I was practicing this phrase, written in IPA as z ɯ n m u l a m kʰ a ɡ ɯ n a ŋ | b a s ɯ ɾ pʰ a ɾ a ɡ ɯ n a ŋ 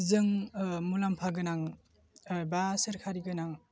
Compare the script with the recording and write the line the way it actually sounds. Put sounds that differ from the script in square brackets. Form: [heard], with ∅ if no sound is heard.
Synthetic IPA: z ɯ [ŋ] m u l a m [pʰ] a ɡ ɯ n a ŋ | b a s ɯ ɾ [kʰ] a ɾ [i] ɡ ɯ n a ŋ